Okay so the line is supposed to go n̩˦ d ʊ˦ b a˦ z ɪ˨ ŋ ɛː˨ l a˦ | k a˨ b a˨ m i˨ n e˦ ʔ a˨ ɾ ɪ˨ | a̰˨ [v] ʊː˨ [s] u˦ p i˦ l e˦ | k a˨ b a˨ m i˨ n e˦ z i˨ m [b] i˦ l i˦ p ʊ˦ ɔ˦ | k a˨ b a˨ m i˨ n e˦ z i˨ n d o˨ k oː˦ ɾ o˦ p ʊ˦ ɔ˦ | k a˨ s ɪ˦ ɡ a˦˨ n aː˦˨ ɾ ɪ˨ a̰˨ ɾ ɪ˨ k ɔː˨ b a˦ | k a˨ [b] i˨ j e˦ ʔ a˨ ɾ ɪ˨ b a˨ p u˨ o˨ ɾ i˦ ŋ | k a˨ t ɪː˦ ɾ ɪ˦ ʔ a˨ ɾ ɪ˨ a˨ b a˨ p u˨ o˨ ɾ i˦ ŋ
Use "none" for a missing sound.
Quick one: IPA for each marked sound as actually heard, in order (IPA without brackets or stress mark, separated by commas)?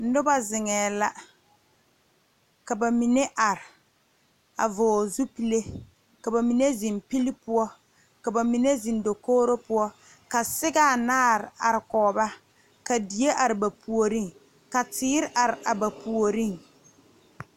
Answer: v, z, p, d